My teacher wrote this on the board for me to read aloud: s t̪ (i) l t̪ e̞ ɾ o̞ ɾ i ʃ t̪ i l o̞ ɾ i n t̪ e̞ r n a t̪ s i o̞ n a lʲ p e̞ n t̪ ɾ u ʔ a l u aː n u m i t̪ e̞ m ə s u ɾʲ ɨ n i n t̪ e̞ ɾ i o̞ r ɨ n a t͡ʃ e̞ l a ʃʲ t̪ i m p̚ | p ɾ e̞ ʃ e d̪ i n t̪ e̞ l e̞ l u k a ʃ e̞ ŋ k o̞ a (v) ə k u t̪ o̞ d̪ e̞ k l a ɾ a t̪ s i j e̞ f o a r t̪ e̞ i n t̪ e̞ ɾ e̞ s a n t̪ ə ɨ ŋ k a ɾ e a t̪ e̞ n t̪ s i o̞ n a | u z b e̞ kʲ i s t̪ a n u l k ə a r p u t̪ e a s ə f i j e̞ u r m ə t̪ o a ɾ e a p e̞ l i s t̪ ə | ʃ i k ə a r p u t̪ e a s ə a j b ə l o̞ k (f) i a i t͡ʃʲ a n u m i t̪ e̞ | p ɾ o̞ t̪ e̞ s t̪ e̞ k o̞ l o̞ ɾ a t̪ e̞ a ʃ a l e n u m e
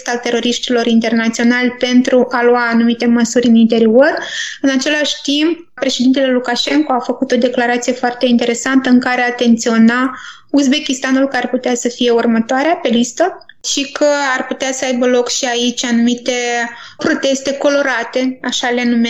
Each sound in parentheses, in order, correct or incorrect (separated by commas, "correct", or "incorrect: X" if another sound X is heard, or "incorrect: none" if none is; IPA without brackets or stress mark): incorrect: a, incorrect: f, incorrect: ʃ